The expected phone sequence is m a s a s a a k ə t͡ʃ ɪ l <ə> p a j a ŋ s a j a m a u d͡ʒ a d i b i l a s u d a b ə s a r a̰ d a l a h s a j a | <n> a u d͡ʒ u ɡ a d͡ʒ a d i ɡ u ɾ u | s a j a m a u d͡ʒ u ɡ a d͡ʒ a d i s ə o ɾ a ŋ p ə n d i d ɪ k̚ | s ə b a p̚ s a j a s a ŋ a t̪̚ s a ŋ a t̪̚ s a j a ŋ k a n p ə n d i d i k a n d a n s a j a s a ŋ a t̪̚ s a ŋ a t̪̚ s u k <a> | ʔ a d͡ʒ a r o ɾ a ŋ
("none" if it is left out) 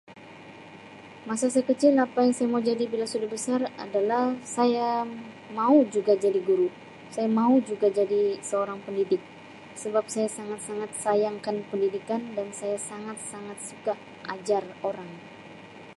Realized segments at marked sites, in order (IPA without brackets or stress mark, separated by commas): a, m, a